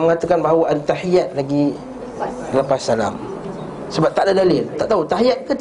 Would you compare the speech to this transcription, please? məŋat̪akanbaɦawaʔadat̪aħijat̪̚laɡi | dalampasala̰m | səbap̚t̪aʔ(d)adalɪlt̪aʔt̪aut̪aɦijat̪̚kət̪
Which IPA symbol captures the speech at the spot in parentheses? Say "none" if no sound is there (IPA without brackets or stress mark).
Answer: d